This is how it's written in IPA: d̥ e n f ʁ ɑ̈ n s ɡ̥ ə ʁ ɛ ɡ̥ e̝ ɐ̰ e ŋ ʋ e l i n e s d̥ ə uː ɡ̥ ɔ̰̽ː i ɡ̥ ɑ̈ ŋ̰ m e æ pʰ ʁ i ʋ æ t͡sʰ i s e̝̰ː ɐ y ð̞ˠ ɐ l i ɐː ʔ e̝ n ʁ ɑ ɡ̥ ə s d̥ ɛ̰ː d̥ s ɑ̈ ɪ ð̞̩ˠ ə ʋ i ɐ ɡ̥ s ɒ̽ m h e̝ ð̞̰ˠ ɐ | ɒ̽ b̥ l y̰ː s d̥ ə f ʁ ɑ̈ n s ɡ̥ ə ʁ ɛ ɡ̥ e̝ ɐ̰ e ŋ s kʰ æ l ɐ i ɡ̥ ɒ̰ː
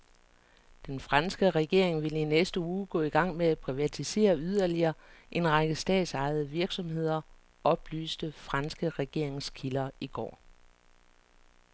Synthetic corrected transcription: d̥ e n f ʁ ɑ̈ n s ɡ̥ ə ʁ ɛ ɡ̥ e̝ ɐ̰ e ŋ ʋ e l i n e s d̥ ə uː ɡ̥ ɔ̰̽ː i ɡ̥ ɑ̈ ŋ̰ m e æ pʰ ʁ i ʋ æ t͡sʰ i s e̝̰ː ɐ y ð̞ˠ ɐ l i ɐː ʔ e̝ n ʁ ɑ ɡ̥ ə s d̥ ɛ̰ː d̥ s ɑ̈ ɪ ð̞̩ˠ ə ʋ i ɐ ɡ̥ s ɒ̽ m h e̝ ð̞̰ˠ ɐ | ɒ̽ b̥ l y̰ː s d̥ ə f ʁ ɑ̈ n s ɡ̥ ə ʁ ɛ ɡ̥ e̝ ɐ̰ e ŋ s kʰ i l ɐ i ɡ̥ ɒ̰ː